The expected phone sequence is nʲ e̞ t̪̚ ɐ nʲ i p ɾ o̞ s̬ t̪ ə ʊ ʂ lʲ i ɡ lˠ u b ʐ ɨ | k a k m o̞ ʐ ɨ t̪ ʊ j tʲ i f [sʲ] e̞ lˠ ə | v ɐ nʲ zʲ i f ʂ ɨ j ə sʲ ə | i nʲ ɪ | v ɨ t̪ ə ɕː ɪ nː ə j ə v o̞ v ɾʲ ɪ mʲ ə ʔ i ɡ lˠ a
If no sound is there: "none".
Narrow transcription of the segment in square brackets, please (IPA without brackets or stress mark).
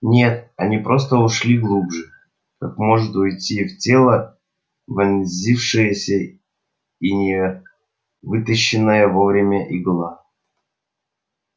tʲ